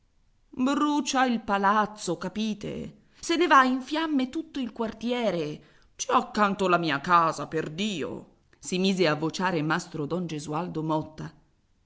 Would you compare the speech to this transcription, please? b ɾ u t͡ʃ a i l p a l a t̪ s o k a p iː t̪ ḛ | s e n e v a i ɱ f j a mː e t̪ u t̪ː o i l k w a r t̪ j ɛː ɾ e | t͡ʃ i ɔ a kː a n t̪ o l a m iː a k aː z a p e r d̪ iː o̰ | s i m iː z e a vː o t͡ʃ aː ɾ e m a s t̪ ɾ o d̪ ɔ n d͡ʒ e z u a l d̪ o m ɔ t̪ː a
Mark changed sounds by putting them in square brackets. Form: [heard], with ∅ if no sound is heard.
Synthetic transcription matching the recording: b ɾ u t͡ʃ a i l p a l a t̪ s o k a p iː t̪ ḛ | s e n e v a i ɱ f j a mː e t̪ u t̪ː o i l k w a r t̪ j ɛː ɾ e | t͡ʃ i ɔ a kː a n t̪ o l a m iː a k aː z a p e r d̪ iː o̰ | s i m iː z e a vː o t͡ʃ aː ɾ e m a s t̪ ɾ o d̪ ɔ n d͡ʒ e z u a l d̪ o m ɔ t̪ː a